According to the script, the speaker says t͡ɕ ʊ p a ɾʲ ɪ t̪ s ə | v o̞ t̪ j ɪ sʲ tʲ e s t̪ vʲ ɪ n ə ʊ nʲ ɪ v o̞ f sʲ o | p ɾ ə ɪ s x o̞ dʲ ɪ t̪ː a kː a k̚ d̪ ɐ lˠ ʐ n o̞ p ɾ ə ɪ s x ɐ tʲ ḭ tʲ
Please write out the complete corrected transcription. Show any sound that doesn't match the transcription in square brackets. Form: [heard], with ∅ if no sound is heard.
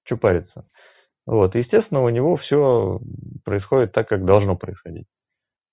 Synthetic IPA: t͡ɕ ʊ p a ɾʲ ɪ t̪ s ə | v o̞ t̪ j ɪ sʲ tʲ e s t̪ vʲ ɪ n ə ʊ nʲ ɪ v o̞ f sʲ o | p ɾ ə ɪ s x o̞ dʲ ɪ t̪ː a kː a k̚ d̪ ɐ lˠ ʐ n o̞ p ɾ ə ɪ s x ɐ [dʲ] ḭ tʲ